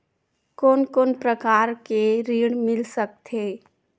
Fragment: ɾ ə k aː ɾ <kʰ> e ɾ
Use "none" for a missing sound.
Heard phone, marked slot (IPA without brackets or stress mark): k